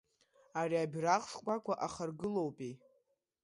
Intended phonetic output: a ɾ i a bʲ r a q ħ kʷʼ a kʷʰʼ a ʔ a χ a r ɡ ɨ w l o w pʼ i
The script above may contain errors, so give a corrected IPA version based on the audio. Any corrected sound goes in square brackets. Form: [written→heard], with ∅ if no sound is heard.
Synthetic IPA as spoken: a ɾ i a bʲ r a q [ħ→ʂ] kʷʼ a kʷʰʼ a ʔ a χ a r ɡ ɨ [w→∅] l o w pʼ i